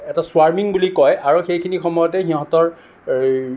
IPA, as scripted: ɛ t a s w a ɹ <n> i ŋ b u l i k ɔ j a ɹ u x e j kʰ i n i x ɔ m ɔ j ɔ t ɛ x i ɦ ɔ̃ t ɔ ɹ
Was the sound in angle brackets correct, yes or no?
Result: no